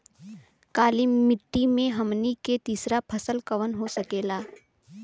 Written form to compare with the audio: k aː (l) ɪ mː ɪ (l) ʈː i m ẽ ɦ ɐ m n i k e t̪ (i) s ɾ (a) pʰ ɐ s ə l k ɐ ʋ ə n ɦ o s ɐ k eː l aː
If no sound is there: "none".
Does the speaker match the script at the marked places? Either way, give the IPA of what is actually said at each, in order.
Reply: l, none, iː, a

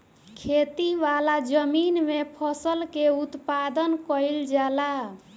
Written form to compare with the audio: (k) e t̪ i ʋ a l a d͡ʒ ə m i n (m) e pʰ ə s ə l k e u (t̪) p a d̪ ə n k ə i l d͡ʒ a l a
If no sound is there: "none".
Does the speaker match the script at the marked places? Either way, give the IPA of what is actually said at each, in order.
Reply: kʰ, m, t̪

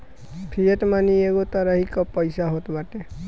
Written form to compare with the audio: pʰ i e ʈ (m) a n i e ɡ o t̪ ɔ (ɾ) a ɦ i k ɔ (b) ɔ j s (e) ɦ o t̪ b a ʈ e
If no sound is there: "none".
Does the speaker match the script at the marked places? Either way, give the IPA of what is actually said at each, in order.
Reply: m, ɾ, p, a

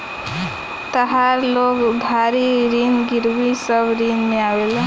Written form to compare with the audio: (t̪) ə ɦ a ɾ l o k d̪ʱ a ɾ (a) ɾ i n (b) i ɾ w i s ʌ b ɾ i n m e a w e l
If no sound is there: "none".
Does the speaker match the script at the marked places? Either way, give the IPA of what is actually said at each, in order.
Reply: t̪, i, ɡ

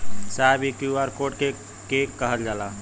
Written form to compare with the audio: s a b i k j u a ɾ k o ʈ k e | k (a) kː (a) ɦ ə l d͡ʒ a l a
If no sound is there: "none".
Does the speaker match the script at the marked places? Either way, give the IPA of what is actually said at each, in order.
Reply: e, ə

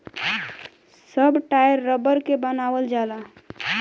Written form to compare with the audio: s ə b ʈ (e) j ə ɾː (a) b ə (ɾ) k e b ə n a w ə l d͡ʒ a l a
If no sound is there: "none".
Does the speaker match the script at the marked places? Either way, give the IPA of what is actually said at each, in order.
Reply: a, ə, ɾ

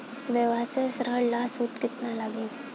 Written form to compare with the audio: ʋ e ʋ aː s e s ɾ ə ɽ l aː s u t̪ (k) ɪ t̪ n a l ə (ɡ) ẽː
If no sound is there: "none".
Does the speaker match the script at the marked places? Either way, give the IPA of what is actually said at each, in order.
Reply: k, ɡ

